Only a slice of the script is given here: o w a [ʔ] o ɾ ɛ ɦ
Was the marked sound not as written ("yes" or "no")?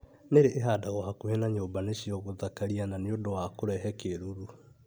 yes